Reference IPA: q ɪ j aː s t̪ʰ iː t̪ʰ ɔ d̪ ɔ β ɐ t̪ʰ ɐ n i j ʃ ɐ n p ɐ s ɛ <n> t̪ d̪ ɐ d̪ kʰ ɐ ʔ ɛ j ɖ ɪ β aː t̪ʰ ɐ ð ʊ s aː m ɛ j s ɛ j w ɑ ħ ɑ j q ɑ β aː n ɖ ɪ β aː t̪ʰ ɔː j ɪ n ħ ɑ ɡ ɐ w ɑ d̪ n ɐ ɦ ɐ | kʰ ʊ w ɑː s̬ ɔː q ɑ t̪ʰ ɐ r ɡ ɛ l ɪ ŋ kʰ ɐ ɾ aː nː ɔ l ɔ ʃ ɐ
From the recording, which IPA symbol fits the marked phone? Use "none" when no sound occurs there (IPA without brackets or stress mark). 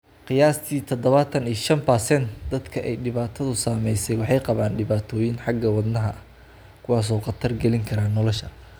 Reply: n